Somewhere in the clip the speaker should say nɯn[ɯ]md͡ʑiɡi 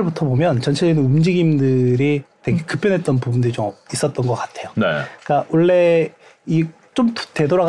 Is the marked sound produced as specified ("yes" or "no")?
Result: no